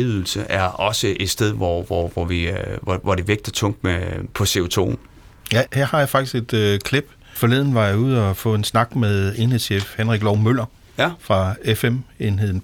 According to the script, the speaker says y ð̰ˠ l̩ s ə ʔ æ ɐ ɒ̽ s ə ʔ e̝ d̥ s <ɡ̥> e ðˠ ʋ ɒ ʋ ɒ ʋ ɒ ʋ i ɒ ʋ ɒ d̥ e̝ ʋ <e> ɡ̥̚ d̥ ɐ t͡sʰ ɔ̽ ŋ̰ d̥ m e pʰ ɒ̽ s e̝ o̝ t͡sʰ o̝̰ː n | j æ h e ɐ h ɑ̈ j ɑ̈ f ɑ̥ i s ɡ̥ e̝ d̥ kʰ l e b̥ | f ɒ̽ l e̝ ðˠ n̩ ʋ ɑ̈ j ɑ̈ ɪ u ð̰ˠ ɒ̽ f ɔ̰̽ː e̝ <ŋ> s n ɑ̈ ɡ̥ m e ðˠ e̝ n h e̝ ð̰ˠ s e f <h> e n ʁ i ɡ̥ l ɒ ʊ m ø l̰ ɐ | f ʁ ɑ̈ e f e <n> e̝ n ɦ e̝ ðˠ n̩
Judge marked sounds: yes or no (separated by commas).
no, yes, no, yes, no